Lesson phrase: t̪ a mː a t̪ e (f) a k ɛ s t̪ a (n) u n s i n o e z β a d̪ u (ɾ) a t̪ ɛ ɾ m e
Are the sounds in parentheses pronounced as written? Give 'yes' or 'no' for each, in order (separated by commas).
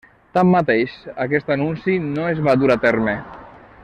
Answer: no, yes, yes